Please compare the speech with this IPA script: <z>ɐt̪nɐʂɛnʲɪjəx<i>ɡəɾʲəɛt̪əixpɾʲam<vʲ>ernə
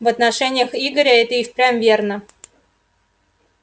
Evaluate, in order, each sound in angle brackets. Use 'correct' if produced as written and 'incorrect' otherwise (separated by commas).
incorrect, correct, correct